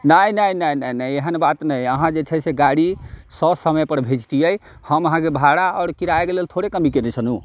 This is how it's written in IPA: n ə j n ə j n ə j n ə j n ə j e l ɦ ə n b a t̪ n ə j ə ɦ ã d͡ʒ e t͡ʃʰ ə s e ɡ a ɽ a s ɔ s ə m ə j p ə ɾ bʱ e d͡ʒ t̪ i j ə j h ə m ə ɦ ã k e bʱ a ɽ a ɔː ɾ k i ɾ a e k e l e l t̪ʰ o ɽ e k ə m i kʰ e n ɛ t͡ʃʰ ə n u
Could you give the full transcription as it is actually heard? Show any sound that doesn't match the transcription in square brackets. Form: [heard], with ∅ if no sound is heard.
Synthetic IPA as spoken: n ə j n ə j n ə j n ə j n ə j e [∅] ɦ ə n b a t̪ n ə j ə ɦ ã d͡ʒ e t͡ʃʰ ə s e ɡ a ɽ [i] s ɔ s ə m ə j p ə ɾ bʱ e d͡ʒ t̪ i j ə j h ə m ə ɦ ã k e bʱ a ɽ a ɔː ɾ k i ɾ a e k e l e l t̪ʰ o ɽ e k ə m i [k] e n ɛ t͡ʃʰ ə n u